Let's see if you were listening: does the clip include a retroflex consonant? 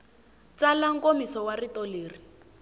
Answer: no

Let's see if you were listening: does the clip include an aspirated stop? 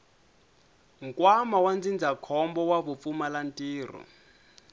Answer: yes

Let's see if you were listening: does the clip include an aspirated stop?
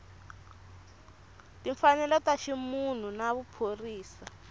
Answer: yes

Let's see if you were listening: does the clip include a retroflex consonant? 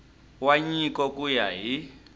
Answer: no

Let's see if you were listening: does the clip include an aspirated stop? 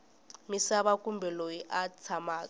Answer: yes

